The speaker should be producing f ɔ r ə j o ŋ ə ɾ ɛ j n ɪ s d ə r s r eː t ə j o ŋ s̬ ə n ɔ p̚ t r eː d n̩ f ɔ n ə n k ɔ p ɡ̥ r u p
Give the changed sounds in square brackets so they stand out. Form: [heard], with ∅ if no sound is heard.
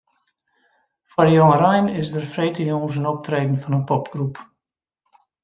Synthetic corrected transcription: f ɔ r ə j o ŋ ə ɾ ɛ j n ɪ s d ə r [f] r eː t ə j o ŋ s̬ ə n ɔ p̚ t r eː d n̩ f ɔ n ə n [p] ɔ p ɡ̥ r u p

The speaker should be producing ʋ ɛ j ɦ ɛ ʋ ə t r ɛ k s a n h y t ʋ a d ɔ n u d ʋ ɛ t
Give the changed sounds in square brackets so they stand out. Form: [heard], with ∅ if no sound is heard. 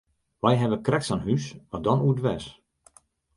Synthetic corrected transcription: ʋ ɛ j ɦ ɛ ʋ ə [k] r ɛ k s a n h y [s] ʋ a d ɔ n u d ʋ ɛ [s]

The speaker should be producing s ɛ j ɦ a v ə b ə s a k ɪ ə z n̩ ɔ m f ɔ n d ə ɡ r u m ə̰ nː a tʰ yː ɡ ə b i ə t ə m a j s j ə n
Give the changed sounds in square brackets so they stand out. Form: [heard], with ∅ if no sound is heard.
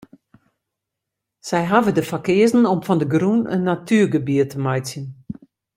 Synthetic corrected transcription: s ɛ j ɦ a v ə [d] ə [f] a k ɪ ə z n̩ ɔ m f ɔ n d ə ɡ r u [n] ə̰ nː a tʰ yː ɡ ə b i ə t ə m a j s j ə n

